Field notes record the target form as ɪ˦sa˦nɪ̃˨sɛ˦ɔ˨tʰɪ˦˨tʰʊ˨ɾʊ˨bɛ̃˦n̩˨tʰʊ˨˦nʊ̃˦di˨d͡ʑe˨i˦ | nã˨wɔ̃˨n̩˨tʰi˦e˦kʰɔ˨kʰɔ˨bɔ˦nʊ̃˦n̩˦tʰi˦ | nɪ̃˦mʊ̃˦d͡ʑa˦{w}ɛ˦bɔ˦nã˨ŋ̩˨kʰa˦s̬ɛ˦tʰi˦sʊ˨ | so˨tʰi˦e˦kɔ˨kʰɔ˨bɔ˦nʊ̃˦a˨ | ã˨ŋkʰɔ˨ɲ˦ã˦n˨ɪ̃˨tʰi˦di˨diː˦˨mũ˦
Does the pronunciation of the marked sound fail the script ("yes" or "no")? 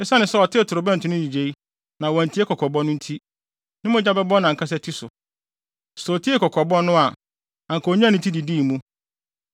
yes